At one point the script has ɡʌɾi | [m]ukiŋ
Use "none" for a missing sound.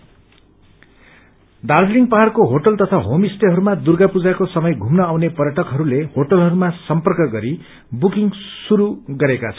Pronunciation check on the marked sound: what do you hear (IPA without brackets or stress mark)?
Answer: b